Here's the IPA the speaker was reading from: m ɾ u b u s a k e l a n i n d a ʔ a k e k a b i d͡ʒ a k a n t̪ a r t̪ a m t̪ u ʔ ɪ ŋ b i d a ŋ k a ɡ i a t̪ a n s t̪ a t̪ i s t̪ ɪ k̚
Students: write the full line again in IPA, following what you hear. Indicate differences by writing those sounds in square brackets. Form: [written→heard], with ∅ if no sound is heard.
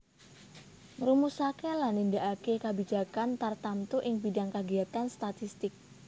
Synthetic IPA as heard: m ɾ u [b→m] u s a k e l a n i n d a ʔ a k e k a b i d͡ʒ a k a n t̪ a r t̪ a m t̪ u ʔ ɪ ŋ b i d a ŋ k a ɡ i a t̪ a n s t̪ a t̪ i s t̪ ɪ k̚